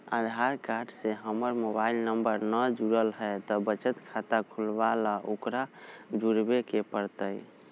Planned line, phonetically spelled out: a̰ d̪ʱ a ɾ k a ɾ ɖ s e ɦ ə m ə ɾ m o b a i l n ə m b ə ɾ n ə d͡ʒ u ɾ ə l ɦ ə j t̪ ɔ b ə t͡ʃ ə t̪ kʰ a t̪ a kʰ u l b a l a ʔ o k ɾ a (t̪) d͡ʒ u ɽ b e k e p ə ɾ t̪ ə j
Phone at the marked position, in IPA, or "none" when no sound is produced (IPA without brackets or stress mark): none